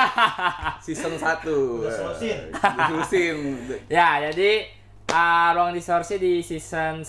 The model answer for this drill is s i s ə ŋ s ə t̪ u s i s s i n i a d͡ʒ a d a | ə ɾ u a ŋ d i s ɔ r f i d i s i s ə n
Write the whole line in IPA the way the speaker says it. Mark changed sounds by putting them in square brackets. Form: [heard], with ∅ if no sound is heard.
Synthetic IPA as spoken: s i s ə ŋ s [a] t̪ u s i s s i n [j] a d͡ʒ a d [i] | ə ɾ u a ŋ d i s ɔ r [s] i d i s i s ə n